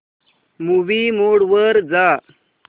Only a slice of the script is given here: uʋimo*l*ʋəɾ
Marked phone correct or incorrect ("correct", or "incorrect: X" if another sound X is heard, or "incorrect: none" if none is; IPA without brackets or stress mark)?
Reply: incorrect: ɽ